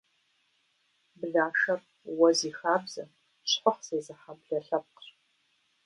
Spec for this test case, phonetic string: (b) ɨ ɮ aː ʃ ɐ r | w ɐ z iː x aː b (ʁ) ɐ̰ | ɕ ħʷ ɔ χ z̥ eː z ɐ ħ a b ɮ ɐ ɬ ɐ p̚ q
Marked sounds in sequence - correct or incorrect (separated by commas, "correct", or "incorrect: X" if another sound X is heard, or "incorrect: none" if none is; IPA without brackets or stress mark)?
correct, incorrect: z